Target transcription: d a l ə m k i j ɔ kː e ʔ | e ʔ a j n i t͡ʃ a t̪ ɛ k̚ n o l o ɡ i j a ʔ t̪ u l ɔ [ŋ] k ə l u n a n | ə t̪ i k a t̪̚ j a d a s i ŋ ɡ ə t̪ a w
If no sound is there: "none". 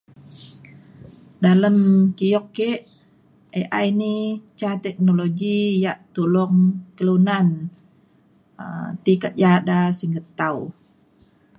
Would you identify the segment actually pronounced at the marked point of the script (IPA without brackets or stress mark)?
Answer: ŋ